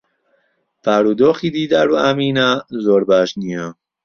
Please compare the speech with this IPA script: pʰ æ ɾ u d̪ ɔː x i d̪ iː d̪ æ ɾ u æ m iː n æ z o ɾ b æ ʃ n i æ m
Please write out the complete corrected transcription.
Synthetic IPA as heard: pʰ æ ɾ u d̪ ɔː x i d̪ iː d̪ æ ɾ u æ m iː n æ z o ɾ b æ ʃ n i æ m